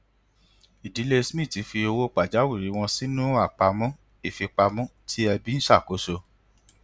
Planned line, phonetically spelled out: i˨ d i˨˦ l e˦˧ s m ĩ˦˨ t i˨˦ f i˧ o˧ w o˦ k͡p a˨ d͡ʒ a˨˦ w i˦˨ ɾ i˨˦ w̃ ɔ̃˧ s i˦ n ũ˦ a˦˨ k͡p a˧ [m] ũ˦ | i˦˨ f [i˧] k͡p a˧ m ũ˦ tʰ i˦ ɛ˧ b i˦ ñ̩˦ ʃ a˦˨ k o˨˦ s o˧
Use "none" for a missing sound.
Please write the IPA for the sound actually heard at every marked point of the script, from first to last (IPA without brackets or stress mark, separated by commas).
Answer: m, i˧